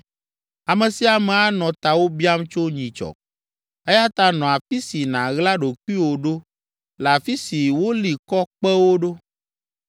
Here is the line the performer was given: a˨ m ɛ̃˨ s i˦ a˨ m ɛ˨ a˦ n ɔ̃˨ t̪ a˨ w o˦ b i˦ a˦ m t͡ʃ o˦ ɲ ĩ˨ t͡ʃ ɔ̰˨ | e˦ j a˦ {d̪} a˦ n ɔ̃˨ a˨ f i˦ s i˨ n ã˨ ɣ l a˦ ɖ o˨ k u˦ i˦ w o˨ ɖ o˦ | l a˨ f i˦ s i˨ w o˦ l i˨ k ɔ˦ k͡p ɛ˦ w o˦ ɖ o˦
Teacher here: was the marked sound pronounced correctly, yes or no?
no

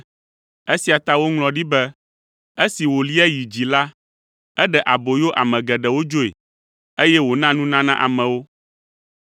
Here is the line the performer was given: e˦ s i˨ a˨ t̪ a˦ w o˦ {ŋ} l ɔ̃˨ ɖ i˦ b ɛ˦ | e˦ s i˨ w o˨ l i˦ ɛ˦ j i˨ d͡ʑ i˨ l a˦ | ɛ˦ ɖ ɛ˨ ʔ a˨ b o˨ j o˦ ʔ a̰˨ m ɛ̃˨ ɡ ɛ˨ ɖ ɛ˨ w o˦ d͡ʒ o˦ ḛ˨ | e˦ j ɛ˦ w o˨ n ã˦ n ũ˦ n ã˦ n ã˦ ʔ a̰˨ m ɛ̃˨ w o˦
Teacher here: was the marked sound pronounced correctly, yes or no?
yes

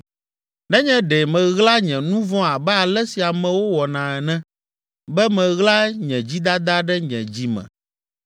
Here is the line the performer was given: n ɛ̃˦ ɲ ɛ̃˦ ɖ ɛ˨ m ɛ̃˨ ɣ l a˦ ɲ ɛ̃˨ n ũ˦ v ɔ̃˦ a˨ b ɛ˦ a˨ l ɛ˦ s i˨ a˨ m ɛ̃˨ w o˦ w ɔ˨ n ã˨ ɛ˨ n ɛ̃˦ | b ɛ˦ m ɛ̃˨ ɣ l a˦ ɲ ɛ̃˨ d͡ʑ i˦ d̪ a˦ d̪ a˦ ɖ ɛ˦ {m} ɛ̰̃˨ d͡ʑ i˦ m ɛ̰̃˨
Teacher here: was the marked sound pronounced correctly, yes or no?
no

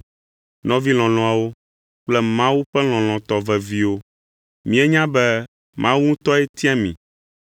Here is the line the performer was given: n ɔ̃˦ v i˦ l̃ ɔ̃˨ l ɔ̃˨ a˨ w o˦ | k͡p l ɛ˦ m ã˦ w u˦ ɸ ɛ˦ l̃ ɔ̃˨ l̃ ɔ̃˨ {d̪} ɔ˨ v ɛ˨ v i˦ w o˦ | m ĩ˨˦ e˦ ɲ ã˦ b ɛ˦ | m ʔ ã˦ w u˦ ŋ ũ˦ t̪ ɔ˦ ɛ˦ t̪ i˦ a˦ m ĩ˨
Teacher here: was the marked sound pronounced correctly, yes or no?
no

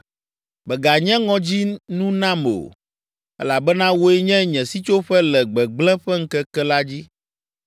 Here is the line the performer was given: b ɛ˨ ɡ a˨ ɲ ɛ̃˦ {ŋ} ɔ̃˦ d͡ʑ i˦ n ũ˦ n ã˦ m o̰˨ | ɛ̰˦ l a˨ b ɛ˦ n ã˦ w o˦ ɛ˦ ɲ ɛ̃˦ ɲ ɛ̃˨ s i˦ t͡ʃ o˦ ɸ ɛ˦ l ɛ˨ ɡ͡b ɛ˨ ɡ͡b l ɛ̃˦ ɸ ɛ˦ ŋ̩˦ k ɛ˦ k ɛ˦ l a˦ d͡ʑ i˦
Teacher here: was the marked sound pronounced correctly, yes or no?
yes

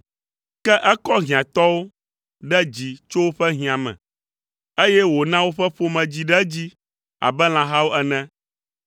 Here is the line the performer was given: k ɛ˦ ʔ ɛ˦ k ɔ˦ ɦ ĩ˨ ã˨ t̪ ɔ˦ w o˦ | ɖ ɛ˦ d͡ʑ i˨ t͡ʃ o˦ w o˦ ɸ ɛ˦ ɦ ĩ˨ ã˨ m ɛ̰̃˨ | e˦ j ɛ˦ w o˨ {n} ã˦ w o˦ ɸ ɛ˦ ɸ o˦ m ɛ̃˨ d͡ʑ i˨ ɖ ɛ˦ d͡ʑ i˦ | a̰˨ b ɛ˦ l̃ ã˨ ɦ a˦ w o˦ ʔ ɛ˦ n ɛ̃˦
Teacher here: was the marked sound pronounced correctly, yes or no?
yes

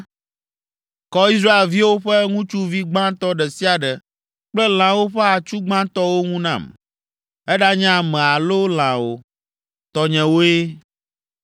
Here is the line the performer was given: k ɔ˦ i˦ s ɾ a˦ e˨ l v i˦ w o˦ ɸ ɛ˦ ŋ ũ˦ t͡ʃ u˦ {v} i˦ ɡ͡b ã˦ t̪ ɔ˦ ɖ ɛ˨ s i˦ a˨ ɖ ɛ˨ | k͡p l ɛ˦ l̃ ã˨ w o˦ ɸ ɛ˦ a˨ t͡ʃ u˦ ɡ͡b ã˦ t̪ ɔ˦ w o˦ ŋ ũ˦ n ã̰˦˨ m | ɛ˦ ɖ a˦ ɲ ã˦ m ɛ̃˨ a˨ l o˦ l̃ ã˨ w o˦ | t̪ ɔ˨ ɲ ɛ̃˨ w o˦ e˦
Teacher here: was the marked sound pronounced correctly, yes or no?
yes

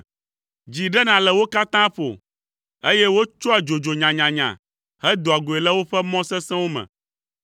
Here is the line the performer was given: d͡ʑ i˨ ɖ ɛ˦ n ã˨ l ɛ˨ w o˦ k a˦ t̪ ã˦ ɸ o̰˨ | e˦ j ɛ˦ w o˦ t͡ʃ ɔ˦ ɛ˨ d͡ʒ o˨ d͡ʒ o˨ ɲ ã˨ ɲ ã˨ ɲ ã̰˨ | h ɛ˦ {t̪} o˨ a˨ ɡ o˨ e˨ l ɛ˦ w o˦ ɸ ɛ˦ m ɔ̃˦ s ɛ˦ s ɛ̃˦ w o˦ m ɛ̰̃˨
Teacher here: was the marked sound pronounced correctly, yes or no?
no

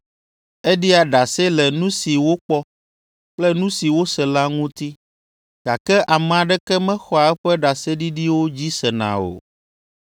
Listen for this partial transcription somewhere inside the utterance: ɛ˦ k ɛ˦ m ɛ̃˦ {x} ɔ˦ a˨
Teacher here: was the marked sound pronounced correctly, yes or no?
yes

